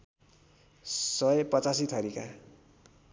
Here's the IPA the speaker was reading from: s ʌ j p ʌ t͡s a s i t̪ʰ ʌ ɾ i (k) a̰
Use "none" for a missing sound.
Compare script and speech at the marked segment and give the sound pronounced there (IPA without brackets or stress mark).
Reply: k